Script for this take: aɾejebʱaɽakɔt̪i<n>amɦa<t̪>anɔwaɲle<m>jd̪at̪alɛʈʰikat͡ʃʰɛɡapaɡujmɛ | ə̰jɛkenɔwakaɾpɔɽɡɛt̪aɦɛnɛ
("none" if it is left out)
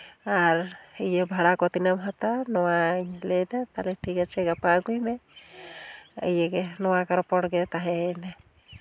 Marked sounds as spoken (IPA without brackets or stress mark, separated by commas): n, t̪, none